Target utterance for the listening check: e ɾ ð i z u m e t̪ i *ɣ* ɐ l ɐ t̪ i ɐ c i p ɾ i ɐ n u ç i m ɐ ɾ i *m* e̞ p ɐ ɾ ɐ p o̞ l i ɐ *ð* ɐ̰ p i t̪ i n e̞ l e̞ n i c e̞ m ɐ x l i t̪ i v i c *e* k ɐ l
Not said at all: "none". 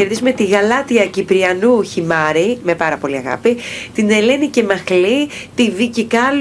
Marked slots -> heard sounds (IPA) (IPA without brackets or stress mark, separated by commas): ɣ, m, ɣ, i